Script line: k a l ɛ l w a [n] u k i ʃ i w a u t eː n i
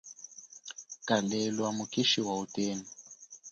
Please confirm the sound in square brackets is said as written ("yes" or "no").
no